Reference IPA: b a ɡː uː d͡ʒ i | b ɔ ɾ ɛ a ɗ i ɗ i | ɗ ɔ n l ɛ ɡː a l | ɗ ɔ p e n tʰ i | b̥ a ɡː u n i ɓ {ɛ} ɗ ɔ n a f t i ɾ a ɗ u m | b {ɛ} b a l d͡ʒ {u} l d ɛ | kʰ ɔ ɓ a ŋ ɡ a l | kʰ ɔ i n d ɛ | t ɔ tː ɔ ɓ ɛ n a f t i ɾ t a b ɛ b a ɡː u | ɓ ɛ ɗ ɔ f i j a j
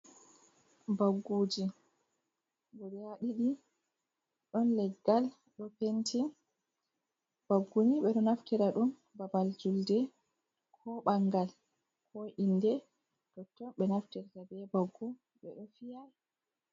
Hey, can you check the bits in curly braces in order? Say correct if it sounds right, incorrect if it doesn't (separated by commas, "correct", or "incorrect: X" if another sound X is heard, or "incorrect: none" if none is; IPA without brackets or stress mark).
correct, incorrect: a, correct